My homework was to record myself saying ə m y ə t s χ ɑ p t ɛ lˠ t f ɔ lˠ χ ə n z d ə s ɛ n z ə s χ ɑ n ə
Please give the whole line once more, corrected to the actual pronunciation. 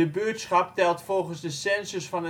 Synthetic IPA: ə b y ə t s χ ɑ p t ɛ lˠ t f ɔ lˠ χ ə n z d ə s ɛ n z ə s f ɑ n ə